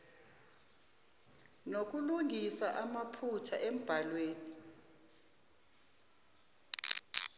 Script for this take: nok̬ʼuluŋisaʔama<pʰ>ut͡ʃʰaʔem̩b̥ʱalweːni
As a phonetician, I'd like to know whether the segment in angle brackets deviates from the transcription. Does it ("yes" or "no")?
no